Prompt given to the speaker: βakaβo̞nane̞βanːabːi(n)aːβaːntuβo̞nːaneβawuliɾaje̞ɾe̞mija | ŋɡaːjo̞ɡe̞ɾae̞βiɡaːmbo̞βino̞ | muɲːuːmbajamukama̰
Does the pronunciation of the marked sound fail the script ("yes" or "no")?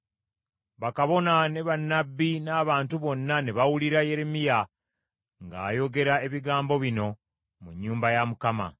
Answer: no